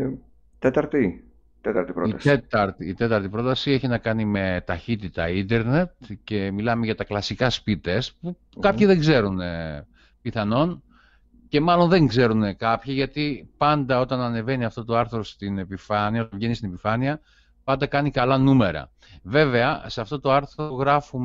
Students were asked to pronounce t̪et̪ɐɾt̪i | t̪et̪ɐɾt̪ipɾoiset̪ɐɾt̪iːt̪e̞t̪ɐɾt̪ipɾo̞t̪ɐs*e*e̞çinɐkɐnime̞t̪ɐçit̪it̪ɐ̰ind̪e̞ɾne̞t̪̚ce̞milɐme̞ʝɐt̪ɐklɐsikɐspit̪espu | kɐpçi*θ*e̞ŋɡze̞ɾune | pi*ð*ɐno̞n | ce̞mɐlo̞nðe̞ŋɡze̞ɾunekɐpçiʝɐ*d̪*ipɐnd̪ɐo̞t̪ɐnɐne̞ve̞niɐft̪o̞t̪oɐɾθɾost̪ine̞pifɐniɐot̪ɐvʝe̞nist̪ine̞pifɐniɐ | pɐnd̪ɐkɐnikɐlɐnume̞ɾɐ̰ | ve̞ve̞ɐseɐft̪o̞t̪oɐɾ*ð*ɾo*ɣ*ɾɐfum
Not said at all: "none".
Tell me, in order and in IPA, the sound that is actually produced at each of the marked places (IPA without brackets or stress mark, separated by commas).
i, ð, θ, t̪, θ, ɣ